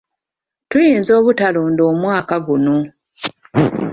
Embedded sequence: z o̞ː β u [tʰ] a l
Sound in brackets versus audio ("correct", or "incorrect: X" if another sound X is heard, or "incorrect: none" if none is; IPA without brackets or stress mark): incorrect: t